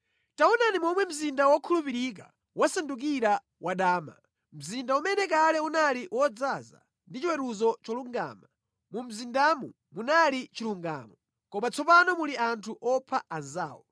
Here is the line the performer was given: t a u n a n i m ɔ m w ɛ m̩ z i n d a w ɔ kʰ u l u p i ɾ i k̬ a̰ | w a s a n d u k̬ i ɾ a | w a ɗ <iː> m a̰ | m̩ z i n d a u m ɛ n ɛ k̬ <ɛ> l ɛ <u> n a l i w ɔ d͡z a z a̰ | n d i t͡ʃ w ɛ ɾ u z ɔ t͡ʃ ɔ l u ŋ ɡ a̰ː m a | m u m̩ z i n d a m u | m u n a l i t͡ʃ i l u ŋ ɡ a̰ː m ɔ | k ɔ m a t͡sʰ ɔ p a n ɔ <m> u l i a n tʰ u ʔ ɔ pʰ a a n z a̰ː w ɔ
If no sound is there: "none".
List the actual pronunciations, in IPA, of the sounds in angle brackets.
aː, a, u, m

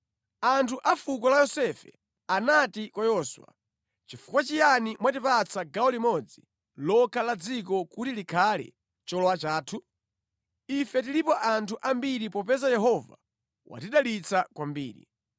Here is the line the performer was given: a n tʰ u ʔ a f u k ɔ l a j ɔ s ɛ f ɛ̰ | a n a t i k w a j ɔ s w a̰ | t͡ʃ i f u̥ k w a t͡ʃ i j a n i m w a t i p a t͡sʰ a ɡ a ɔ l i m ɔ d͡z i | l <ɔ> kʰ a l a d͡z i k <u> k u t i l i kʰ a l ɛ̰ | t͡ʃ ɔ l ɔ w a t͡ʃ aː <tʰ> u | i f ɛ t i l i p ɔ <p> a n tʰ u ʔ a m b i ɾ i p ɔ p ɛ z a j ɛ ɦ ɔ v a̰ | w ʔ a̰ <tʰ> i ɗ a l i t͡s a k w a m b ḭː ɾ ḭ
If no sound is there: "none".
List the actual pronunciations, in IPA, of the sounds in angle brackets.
ɔ, ɔ, tʰ, ʔ, t

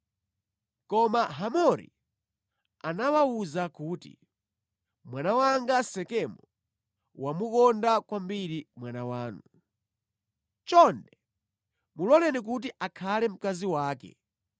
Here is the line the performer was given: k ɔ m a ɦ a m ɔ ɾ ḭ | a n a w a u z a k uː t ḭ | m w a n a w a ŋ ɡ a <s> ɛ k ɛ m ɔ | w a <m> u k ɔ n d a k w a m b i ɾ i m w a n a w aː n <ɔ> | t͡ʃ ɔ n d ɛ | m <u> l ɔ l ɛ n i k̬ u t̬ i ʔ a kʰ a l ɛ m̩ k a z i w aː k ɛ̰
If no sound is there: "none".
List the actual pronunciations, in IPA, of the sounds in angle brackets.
s, m, u, u

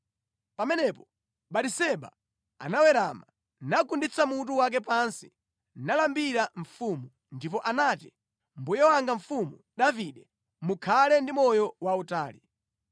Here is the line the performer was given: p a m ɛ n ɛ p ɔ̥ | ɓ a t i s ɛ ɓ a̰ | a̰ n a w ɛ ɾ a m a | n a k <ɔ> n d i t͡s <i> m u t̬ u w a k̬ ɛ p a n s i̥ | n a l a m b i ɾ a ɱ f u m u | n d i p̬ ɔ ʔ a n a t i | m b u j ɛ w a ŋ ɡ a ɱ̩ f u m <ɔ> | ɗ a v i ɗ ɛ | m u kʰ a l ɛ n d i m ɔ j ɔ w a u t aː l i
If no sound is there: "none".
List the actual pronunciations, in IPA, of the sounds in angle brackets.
u, a, u

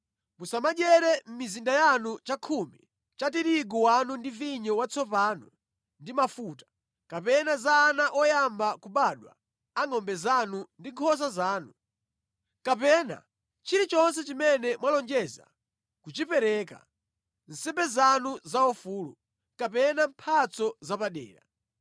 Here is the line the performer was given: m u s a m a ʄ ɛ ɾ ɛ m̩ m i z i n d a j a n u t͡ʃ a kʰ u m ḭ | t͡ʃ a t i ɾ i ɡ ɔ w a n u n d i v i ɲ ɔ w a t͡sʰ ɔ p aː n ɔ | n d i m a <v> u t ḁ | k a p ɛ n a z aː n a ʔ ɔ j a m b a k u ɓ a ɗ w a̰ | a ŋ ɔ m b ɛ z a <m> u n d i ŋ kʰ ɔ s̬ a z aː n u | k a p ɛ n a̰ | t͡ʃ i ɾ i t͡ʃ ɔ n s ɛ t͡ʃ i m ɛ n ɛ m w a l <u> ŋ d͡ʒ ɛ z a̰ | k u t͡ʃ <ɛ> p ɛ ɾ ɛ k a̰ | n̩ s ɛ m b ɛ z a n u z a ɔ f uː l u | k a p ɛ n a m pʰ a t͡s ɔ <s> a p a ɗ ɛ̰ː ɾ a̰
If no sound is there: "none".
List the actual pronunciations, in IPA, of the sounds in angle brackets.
f, n, ɔ, i, z

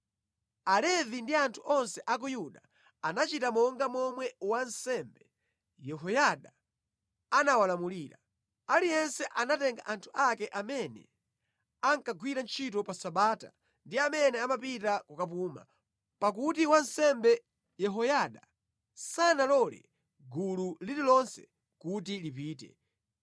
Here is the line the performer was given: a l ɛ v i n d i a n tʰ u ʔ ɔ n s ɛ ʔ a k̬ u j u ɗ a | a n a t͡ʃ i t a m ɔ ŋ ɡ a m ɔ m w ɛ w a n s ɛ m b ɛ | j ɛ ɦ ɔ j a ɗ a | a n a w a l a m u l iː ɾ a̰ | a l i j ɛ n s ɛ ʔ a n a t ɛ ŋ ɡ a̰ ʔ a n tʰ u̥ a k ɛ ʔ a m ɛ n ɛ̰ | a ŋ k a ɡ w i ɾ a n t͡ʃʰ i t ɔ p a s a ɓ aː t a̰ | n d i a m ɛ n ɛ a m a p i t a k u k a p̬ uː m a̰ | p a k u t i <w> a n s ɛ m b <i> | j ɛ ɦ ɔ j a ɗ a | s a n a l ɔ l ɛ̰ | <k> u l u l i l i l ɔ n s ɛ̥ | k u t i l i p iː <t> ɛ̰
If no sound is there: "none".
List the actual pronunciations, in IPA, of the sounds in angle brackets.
w, ɛ, ɡ, t

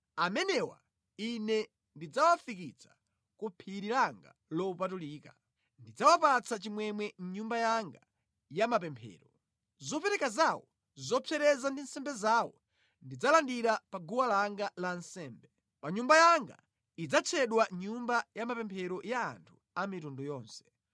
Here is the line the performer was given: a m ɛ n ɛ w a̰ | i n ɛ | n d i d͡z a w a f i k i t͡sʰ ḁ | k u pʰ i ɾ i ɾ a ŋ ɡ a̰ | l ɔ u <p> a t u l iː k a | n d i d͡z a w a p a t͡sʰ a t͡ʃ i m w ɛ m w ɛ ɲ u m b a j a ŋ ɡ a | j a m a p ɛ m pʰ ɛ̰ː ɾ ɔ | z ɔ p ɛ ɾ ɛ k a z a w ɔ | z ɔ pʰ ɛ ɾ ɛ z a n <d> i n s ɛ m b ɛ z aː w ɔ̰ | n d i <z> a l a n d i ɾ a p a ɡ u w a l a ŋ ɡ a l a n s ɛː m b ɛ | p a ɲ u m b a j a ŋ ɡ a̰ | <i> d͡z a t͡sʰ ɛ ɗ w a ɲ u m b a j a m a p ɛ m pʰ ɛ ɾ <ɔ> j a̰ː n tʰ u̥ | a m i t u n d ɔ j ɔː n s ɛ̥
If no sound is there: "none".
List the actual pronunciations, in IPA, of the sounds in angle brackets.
p, d, d͡z, i, ɔ

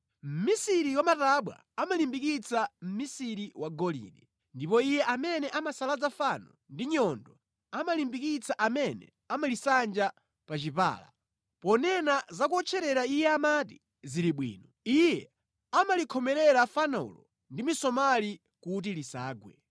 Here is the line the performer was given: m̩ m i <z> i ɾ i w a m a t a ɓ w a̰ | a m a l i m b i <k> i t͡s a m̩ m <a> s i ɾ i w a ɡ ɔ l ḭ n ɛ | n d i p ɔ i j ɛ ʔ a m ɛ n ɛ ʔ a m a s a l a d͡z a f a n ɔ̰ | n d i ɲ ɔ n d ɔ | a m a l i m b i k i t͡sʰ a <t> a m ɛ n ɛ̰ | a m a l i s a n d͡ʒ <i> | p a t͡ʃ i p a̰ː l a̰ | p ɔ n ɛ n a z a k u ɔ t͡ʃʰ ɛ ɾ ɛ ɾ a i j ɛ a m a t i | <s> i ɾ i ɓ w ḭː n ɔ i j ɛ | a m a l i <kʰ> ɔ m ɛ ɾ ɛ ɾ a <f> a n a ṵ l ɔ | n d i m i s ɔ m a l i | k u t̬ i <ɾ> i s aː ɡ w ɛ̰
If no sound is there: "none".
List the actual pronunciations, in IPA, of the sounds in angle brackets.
s, k, i, ʔ, a, z, kʰ, f, l

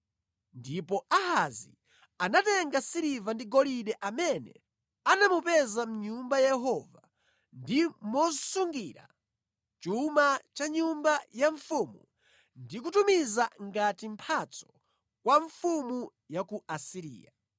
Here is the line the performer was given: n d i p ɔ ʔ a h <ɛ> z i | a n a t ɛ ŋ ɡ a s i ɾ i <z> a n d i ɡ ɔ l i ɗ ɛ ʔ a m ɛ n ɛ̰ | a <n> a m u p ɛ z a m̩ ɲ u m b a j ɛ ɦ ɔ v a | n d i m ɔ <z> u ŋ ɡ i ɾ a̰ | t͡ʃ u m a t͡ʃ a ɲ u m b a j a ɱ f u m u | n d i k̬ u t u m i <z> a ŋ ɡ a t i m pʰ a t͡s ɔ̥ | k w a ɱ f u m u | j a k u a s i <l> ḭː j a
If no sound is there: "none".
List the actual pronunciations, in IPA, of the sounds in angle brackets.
a, v, n, s, z, ɾ

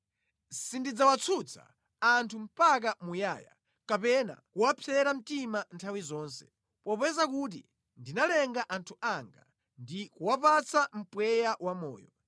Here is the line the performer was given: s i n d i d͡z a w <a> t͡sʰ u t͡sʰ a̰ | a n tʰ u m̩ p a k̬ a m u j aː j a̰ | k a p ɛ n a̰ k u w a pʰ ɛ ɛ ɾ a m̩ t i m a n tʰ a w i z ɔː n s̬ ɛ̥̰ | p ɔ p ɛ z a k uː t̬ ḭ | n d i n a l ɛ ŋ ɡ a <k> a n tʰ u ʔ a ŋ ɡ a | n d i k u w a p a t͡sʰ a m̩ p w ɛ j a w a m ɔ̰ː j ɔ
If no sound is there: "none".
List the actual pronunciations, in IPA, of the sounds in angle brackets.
a, ʔ

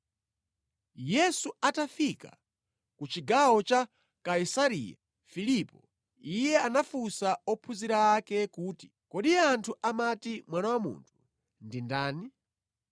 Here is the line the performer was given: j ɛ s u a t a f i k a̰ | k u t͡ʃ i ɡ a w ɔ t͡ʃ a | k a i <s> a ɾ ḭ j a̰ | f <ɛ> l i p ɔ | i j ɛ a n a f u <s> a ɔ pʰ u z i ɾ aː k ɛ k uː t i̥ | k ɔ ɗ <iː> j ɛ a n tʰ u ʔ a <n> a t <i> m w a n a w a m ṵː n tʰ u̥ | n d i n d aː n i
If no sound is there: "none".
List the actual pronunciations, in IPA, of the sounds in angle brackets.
s, i, s, i, m, i

